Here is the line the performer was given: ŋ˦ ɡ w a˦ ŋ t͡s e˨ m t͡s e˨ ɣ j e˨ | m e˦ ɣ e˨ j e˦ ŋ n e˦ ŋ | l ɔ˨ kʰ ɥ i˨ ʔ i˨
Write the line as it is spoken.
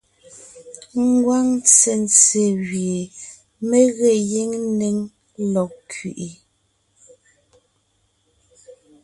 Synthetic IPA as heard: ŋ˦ ɡ w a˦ ŋ t͡s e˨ n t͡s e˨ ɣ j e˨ | m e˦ ɣ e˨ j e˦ ŋ n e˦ ŋ | l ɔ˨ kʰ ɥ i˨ ʔ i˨